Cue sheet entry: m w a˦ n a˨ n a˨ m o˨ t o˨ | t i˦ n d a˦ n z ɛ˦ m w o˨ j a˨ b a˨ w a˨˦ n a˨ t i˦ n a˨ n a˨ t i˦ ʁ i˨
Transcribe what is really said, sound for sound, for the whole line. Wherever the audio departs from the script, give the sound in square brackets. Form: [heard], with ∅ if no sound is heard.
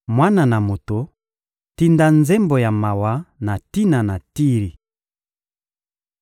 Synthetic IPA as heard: m w a˦ n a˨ n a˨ m o˨ t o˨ | t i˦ n d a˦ n z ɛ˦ m [b] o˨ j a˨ [m] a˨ w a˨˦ n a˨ t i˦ n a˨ n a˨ t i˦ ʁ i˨

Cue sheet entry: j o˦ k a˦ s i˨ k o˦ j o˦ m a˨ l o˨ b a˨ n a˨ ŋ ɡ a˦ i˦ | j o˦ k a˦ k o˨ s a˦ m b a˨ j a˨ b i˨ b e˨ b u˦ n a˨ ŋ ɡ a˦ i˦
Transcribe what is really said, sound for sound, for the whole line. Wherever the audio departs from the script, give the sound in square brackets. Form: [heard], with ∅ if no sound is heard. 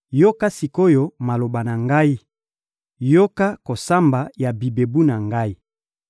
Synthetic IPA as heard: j o˦ k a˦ s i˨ k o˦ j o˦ m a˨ l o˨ b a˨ n a˨ ŋ ɡ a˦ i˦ | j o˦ k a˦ k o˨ s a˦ m b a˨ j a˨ b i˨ b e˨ b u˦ n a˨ ŋ ɡ a˦ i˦

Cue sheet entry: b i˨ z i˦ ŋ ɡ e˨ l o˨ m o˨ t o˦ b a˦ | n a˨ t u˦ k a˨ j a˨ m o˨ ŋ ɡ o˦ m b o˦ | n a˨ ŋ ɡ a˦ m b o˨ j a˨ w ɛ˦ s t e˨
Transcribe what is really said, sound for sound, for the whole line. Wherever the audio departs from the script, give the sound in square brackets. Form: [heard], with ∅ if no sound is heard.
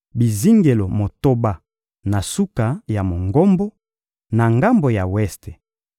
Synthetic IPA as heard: b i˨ z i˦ ŋ ɡ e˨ l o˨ m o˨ t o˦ b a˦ | n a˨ [s] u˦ k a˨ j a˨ m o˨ ŋ ɡ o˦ m b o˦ | n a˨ ŋ ɡ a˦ m b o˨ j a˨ w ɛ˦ s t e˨

